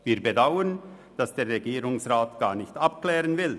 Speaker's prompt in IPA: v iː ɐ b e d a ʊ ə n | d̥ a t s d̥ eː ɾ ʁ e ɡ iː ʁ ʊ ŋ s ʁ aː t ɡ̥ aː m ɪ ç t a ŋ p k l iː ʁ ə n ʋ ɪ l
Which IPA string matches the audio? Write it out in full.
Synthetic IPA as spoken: v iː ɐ b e d a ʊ ə n | d̥ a s d̥ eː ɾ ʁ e ɡ iː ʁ ʊ ŋ s ʁ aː t ɡ̥ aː n ɪ ç t a p k l ɛː ʁ ə n v ɪ l